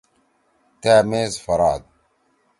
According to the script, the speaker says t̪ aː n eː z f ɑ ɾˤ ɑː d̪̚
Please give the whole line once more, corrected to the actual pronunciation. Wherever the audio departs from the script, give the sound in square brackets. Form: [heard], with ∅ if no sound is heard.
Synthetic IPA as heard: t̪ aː [m] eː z f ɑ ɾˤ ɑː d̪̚